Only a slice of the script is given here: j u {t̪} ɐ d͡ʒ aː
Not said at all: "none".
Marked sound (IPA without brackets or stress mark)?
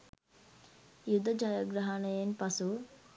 d̪